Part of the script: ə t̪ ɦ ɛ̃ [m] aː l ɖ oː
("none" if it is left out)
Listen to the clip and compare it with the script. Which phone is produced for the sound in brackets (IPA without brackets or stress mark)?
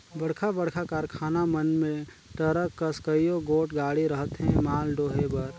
m